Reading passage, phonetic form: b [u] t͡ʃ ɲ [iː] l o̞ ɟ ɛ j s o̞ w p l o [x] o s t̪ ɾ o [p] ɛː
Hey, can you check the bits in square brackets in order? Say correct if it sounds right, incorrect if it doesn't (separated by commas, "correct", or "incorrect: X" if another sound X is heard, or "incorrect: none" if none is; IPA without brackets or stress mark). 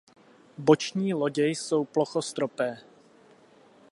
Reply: incorrect: o, correct, correct, correct